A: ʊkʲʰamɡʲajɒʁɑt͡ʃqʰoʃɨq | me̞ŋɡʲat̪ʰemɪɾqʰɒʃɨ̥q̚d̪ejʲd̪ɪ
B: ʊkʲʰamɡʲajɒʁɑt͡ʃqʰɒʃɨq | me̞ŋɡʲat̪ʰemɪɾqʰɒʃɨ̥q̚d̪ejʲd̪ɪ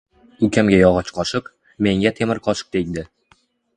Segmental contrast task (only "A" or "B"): B